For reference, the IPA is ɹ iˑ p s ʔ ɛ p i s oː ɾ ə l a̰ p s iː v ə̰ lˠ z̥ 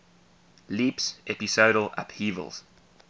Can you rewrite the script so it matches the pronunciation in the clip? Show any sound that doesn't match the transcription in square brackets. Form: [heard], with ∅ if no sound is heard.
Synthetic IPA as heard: [l] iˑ p s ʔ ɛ p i s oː ɾ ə l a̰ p [h] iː v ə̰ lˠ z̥